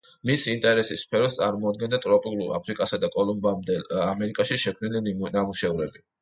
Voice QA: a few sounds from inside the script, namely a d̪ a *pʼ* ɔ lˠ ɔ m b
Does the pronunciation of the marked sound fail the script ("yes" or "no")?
yes